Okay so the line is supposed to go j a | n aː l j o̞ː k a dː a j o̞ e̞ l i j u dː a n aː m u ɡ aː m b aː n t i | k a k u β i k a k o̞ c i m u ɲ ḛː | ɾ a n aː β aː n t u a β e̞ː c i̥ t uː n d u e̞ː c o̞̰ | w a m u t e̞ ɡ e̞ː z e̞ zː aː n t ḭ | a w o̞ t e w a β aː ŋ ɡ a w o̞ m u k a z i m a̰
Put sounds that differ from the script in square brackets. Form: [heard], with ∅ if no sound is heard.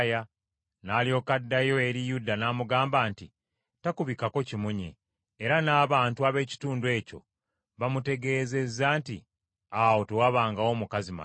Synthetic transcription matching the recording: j a | n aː l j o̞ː k a dː a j o̞ e̞ [ɾ] i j u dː a n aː m u ɡ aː m b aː n t i | [t] a k u β i k a k o̞ c i m u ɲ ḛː | ɾ a n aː β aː n t u a β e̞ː c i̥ t uː n d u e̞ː c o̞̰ | [β] a m u t e̞ ɡ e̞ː z e̞ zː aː n t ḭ | a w o̞ t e w a β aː ŋ ɡ a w o̞ m u k a z i m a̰

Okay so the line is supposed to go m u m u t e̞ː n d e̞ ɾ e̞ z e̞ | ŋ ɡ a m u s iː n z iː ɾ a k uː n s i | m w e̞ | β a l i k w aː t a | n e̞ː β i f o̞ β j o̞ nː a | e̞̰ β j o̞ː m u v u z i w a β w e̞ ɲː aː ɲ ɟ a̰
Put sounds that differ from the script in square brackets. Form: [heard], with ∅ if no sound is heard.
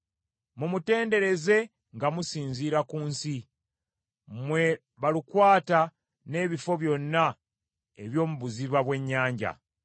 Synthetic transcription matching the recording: m u m u t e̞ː n d e̞ ɾ e̞ z e̞ | ŋ ɡ a m u s iː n z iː ɾ a k uː n s i | m w e̞ | β a l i k w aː t a | n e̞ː β i f o̞ β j o̞ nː a | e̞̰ β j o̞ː m u [β] u z i [β] a β w e̞ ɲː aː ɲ ɟ a̰

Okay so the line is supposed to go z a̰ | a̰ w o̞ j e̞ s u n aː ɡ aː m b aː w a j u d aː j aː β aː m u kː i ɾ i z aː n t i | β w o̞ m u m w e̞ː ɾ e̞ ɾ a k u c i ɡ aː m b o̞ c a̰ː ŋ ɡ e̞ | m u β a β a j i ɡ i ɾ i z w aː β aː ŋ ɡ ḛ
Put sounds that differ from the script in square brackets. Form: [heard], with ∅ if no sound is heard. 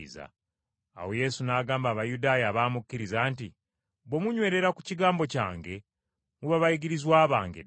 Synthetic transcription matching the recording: z a̰ | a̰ w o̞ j e̞ s u n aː ɡ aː m b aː [β] a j u d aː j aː β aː m u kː i ɾ i z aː n t i | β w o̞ m u [ɲ] w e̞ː ɾ e̞ ɾ a k u c i ɡ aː m b o̞ c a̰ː ŋ ɡ e̞ | m u β a β a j i ɡ i ɾ i z w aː β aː ŋ ɡ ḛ

